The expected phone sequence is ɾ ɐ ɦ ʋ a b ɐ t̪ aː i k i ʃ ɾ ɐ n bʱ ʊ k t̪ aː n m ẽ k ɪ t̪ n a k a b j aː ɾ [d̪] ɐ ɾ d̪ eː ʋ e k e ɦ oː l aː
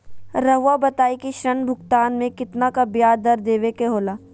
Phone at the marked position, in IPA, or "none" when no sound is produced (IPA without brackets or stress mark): d̪